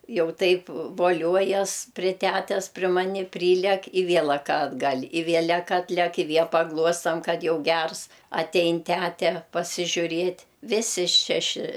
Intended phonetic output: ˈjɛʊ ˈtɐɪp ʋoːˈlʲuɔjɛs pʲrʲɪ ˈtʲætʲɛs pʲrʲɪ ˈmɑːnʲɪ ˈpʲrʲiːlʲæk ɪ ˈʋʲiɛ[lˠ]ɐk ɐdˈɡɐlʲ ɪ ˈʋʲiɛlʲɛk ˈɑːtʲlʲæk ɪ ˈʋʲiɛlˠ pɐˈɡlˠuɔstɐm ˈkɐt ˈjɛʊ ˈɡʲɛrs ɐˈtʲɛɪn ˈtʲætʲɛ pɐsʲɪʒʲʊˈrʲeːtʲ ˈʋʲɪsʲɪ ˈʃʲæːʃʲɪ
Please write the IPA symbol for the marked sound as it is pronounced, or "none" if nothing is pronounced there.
lˠ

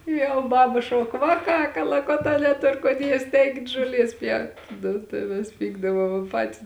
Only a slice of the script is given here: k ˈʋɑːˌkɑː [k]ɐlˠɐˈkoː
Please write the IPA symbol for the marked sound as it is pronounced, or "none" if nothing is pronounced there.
k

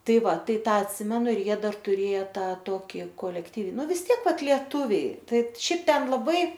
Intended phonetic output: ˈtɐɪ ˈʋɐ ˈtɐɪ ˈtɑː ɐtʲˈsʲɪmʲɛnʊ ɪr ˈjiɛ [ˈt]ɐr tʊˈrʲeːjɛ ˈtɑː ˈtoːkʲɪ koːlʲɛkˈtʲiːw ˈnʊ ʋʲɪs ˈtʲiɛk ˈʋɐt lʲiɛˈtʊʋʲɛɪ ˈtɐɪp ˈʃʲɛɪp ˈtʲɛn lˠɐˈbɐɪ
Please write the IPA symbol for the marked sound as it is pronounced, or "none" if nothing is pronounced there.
d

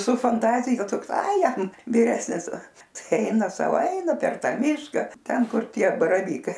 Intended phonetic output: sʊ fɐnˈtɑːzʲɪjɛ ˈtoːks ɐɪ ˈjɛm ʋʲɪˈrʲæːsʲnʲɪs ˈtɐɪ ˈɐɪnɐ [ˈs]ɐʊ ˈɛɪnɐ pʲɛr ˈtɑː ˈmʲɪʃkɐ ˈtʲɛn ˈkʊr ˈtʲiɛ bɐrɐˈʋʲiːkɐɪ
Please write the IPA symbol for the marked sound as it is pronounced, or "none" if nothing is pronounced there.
s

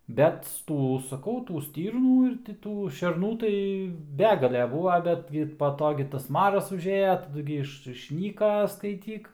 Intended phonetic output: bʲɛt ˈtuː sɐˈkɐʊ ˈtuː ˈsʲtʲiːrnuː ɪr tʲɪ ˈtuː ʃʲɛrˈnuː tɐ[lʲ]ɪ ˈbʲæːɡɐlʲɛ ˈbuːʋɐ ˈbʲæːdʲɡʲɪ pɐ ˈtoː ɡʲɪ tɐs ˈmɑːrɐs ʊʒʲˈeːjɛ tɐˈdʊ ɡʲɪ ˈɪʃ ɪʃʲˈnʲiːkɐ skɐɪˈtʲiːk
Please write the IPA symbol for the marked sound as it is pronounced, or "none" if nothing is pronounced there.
none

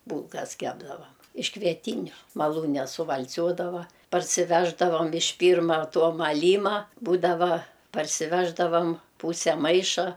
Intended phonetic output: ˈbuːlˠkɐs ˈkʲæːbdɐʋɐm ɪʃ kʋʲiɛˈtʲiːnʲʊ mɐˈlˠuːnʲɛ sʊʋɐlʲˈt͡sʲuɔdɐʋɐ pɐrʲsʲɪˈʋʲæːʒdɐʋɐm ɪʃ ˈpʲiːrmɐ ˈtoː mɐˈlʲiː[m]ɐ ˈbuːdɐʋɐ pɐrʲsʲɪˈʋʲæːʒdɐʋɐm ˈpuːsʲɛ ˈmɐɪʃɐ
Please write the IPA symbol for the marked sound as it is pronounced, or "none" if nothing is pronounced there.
m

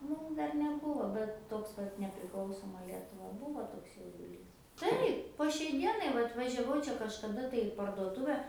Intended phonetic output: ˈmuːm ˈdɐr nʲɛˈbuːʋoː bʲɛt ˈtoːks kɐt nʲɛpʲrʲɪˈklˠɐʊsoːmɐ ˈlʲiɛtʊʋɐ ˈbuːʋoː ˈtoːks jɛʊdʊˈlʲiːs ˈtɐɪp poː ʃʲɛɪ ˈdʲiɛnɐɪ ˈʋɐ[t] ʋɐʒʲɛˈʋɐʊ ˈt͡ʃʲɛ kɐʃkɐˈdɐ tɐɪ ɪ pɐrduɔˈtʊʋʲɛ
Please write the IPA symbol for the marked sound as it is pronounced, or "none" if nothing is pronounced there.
t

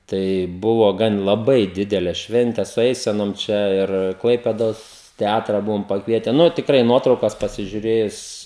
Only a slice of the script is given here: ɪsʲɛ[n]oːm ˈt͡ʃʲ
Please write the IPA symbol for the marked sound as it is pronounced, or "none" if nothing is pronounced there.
n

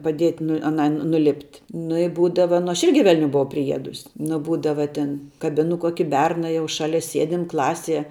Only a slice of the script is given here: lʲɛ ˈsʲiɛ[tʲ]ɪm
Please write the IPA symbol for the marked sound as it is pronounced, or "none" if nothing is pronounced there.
dʲ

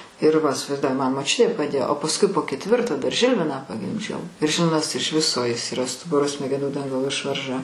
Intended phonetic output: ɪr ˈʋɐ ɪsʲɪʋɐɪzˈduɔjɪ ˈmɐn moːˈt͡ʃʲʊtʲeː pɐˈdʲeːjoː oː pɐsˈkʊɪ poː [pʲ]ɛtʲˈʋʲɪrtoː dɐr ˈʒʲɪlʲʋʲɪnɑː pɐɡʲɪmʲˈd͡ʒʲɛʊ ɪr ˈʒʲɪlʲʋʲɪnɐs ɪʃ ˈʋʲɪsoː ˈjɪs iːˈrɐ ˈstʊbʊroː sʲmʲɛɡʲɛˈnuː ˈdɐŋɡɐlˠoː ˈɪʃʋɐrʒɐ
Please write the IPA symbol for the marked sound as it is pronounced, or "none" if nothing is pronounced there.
kʲ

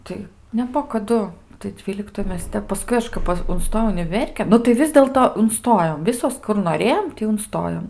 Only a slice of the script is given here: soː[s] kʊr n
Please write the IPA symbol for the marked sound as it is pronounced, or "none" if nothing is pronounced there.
s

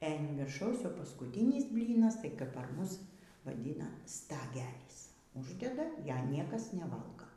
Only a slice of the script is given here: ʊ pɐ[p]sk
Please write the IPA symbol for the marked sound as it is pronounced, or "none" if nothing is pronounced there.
none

